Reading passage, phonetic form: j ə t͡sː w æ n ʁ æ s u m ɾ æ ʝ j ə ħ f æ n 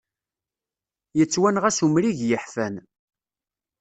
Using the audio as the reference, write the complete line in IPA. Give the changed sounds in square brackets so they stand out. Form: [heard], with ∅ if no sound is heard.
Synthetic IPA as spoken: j ə t͡sː w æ n ʁ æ s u m ɾ [i] ʝ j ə ħ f æ n